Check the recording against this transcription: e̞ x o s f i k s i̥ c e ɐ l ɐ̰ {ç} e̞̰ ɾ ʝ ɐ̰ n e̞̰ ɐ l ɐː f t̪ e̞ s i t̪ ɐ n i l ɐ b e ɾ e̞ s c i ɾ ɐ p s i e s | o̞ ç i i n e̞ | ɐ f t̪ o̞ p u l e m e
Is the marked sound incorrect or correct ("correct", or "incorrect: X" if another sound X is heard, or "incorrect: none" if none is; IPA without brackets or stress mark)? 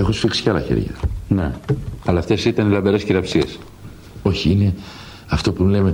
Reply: correct